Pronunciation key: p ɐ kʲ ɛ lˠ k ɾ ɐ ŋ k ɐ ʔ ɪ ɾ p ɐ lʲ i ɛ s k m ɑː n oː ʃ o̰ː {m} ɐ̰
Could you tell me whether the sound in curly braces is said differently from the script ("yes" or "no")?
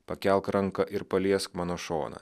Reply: yes